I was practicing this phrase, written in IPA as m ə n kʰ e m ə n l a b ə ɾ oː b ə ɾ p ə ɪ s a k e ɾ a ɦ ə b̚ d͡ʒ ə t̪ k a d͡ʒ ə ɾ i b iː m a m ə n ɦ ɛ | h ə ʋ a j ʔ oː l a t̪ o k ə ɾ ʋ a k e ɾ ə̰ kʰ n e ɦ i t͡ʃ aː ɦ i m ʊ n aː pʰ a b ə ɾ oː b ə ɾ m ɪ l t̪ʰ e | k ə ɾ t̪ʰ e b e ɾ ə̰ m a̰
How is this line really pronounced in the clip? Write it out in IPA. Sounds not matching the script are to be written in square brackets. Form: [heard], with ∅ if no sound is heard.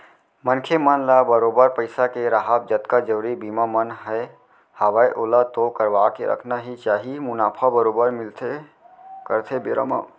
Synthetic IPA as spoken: m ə n kʰ e m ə n l a b ə ɾ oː b ə ɾ p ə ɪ s a k e ɾ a ɦ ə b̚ d͡ʒ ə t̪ k a d͡ʒ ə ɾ i b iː m a m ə n ɦ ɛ | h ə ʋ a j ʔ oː l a t̪ o k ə ɾ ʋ a k e ɾ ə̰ kʰ n [a] ɦ i t͡ʃ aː ɦ i m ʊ n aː pʰ a b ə ɾ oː b ə ɾ m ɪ l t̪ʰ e | k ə ɾ t̪ʰ e b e ɾ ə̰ m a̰

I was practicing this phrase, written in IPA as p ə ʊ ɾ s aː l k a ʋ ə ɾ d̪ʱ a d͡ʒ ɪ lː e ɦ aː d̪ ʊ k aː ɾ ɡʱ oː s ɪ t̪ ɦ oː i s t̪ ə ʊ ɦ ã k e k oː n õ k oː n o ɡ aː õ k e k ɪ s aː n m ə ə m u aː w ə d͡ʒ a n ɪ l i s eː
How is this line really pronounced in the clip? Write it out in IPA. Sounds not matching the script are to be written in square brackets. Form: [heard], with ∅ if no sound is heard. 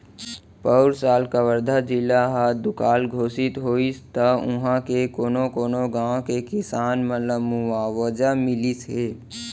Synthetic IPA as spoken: p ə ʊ ɾ s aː l k a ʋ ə ɾ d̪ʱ a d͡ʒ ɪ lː [a] ɦ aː d̪ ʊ k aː [l] ɡʱ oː s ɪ t̪ ɦ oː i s t̪ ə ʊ ɦ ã k e k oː n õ k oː n o ɡ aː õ k e k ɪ s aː n m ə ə m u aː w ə d͡ʒ a [m] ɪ l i s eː

